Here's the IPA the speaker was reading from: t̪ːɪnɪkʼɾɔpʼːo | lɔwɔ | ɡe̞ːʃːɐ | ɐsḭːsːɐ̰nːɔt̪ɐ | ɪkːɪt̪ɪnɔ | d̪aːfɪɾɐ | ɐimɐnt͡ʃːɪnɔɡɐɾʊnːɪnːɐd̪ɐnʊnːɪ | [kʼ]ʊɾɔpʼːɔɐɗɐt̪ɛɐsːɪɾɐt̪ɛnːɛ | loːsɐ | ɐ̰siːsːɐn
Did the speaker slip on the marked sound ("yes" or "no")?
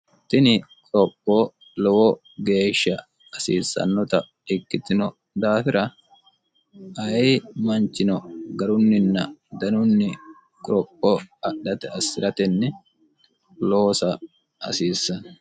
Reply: no